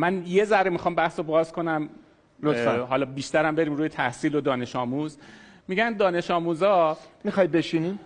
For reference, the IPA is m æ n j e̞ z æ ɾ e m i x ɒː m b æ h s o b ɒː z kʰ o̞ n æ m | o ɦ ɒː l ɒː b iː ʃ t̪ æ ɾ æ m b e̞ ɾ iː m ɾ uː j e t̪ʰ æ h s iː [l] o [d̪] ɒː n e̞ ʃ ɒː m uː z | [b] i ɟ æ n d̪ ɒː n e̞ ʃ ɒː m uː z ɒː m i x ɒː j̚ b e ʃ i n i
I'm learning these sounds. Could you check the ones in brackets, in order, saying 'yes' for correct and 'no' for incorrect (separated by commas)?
yes, yes, no